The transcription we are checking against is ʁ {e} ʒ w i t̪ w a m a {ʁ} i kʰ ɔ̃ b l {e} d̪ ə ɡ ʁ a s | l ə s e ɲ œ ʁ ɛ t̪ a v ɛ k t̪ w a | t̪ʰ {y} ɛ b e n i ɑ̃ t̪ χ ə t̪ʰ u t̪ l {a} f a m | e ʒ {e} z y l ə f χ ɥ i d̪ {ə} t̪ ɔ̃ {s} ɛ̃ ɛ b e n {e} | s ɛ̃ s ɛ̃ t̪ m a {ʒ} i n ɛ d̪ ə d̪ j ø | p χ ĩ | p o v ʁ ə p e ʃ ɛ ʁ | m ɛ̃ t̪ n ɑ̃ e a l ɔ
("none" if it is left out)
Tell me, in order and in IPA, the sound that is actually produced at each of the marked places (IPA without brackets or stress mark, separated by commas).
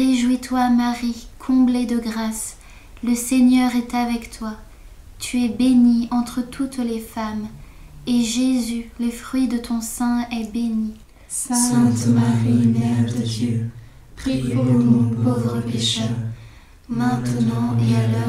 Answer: e, ʁ, e, y, e, e, ə, s, i, ʁ